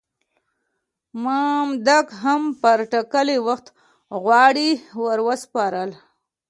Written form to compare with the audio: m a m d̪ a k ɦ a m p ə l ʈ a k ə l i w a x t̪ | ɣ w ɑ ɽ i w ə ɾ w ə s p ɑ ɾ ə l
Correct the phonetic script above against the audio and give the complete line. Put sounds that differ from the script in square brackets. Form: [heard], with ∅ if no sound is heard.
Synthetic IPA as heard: m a m d̪ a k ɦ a m p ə [ɾ] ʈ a k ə l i w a x t̪ | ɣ w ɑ ɽ i w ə ɾ w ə s p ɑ ɾ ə l